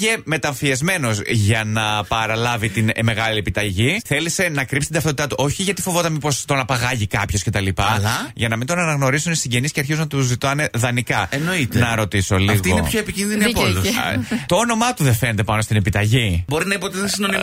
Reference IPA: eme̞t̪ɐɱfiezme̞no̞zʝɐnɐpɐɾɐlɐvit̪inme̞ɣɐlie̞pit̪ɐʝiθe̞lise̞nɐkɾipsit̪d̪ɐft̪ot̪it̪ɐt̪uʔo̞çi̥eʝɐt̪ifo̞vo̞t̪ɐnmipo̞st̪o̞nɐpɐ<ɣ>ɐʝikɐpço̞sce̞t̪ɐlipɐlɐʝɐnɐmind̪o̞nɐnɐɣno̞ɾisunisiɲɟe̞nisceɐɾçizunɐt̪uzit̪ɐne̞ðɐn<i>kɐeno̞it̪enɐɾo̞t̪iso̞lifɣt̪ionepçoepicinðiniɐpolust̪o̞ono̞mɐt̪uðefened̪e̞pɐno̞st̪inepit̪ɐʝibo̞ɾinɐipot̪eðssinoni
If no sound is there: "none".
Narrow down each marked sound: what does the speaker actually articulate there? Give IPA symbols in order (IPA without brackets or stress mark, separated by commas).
ɣ, i